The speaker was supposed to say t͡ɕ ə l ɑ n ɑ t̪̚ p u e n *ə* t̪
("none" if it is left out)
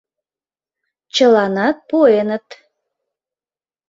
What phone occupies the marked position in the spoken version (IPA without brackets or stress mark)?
ə